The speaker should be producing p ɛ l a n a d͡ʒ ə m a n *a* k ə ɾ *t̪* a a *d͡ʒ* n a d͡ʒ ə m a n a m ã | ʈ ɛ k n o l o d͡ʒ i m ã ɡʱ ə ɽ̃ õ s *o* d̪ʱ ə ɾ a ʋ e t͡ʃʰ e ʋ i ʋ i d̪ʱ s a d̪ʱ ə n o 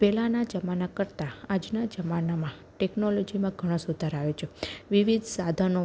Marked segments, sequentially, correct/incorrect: correct, correct, correct, incorrect: u

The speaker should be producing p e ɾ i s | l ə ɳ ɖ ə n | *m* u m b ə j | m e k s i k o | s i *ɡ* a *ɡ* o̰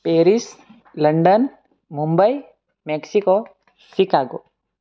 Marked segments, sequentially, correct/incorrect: correct, incorrect: k, correct

